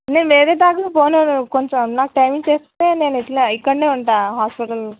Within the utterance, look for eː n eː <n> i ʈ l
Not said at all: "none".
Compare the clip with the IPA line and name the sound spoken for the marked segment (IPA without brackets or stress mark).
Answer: n